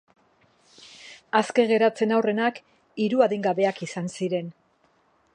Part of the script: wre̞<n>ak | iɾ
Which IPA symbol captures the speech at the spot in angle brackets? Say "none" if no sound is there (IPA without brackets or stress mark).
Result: n